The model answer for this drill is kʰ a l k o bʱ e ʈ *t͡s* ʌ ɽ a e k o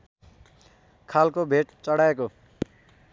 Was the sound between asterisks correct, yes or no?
yes